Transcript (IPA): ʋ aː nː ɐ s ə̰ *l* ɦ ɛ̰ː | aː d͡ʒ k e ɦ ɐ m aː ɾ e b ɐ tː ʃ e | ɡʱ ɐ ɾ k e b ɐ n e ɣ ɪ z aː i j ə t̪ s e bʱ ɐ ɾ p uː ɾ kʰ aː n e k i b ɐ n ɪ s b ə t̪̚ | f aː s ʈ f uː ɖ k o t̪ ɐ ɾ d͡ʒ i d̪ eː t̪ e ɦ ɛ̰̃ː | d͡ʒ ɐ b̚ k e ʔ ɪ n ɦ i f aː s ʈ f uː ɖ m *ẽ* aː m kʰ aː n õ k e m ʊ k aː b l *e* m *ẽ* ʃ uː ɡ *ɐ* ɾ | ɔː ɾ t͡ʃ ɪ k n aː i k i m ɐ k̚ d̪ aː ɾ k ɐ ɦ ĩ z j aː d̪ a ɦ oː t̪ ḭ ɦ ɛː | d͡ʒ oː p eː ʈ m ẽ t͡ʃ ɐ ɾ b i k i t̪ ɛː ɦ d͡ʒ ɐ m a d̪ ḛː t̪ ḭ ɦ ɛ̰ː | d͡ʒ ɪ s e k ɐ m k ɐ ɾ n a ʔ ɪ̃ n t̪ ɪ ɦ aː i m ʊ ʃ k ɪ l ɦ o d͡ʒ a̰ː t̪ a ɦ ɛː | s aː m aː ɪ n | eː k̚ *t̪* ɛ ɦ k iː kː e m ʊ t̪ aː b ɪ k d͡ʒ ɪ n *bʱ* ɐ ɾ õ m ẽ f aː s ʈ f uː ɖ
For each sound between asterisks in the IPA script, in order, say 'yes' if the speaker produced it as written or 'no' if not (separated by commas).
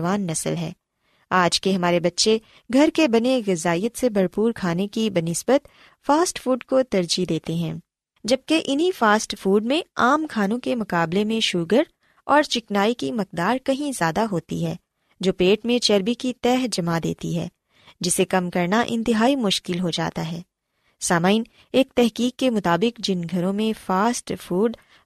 yes, yes, yes, yes, no, yes, no